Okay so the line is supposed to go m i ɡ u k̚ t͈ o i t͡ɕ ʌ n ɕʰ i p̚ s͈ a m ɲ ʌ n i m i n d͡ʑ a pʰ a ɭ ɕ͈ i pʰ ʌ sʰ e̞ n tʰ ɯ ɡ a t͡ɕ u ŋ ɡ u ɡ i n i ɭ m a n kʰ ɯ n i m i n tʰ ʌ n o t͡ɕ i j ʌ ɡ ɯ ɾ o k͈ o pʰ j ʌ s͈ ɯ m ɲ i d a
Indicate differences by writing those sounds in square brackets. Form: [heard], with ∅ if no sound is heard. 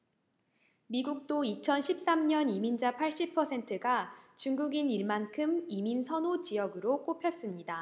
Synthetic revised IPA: m i ɡ u k̚ t͈ o i [t͡ɕʰ] ʌ n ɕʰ i p̚ s͈ a m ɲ ʌ n i m i n d͡ʑ a pʰ a ɭ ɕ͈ i pʰ ʌ sʰ e̞ n tʰ ɯ ɡ a t͡ɕ u ŋ ɡ u ɡ i n i ɭ m a n kʰ ɯ [m] i m i n [sʰ] ʌ n o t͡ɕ i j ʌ ɡ ɯ ɾ o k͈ o pʰ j ʌ s͈ ɯ m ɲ i d a